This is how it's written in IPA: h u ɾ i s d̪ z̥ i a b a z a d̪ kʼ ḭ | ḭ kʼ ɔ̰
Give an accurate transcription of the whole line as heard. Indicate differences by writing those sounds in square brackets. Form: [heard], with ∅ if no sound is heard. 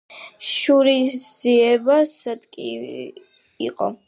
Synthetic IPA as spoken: [ʃ] u ɾ i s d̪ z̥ i [ɛ] b a [s] a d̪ kʼ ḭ | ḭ [qʼ] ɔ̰